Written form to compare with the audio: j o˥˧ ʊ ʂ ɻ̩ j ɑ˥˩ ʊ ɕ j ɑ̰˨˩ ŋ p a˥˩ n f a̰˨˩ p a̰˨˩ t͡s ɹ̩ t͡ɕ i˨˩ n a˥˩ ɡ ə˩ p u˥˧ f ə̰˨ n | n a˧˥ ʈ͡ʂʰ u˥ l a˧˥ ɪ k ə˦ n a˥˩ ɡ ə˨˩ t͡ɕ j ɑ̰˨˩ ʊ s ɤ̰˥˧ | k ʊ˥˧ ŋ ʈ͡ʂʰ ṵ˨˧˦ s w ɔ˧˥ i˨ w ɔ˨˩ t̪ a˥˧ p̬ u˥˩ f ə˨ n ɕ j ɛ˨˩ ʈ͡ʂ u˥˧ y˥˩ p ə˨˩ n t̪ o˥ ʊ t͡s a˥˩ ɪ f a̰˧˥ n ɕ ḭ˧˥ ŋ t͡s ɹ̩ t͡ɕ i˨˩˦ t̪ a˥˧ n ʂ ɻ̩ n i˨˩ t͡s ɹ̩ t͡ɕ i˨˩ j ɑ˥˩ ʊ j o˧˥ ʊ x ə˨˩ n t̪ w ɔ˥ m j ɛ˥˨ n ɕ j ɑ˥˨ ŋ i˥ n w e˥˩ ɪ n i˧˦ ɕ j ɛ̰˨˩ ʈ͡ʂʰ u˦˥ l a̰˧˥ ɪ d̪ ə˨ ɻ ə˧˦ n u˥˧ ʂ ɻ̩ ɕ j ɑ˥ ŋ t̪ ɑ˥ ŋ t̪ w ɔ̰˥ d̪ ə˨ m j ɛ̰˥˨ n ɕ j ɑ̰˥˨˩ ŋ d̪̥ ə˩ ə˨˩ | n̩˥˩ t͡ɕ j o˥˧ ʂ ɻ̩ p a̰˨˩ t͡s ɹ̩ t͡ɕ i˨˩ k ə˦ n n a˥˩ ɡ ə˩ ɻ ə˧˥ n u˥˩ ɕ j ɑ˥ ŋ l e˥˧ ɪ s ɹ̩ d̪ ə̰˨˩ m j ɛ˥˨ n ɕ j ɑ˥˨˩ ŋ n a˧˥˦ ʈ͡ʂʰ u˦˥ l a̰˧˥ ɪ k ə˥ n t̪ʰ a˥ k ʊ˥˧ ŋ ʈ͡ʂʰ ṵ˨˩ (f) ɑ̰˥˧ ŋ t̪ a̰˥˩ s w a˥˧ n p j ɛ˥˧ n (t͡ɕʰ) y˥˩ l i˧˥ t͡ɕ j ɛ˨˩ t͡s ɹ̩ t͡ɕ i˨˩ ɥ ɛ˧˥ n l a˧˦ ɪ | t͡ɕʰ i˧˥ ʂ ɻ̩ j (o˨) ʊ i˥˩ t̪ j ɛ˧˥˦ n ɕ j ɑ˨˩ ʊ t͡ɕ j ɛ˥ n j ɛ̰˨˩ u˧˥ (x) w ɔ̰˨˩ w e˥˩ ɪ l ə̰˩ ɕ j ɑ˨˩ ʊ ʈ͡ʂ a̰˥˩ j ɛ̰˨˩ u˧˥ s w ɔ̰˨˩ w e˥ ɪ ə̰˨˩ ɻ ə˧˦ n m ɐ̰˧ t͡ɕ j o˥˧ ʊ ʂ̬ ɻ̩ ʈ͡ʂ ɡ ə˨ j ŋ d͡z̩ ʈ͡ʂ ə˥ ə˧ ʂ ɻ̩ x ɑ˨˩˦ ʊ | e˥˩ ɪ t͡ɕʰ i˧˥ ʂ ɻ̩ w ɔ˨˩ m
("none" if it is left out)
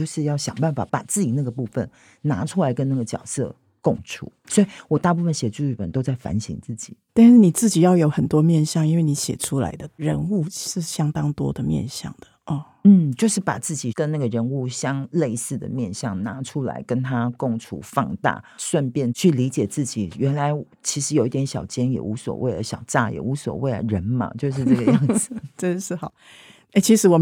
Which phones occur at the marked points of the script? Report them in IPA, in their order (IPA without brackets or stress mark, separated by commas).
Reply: f, t͡ɕʰ, o˨, s